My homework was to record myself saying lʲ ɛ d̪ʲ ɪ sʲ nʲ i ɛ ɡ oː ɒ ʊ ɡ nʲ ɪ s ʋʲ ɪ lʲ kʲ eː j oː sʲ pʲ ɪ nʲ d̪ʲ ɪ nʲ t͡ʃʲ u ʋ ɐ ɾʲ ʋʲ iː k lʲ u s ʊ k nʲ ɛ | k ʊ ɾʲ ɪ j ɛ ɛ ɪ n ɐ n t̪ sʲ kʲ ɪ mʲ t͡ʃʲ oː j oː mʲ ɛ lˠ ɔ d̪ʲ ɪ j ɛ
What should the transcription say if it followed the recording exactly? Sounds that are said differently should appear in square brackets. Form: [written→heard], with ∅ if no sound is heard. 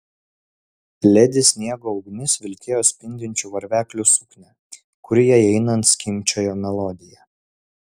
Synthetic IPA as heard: lʲ ɛ d̪ʲ ɪ sʲ nʲ i ɛ ɡ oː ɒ ʊ ɡ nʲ ɪ s ʋʲ ɪ lʲ kʲ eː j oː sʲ pʲ ɪ nʲ d̪ʲ ɪ nʲ t͡ʃʲ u ʋ ɐ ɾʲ ʋʲ [iː→æː] k lʲ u s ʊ k nʲ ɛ | k ʊ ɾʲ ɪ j ɛ ɛ ɪ n ɐ n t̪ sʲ kʲ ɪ mʲ t͡ʃʲ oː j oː mʲ ɛ lˠ ɔ d̪ʲ ɪ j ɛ